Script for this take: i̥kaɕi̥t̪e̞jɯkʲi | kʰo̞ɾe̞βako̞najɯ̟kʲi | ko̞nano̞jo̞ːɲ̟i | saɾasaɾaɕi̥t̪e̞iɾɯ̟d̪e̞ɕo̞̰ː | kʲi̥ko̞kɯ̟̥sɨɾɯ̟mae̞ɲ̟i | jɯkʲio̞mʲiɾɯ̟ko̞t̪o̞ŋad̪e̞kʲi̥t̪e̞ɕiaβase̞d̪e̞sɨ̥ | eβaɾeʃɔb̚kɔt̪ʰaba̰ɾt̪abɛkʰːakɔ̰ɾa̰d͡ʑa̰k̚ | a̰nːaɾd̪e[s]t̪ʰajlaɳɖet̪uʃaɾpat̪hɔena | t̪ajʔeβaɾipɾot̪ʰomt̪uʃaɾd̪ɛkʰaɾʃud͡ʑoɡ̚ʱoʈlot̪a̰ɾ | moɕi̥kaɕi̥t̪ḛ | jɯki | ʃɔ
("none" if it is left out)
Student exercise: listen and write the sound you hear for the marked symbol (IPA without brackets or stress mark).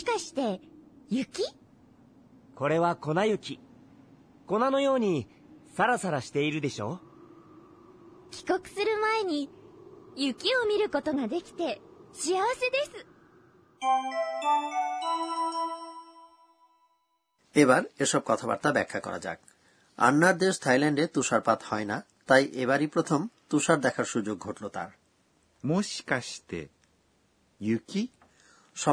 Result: ʃ